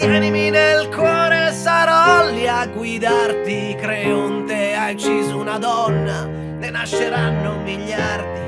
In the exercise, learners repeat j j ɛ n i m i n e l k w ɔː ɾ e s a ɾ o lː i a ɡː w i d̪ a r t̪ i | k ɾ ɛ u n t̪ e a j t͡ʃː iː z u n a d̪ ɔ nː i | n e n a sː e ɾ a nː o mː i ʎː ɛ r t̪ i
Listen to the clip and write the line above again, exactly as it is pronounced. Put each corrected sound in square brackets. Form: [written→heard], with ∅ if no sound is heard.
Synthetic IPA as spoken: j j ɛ n i m i n e l k w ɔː ɾ e s a ɾ [o→ɔ] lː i a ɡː w i d̪ a r t̪ i | k ɾ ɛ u n t̪ e a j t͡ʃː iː z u n a d̪ ɔ nː [i→a] | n e n a [sː→ʃː] e ɾ a nː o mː i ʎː [ɛ→a] r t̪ i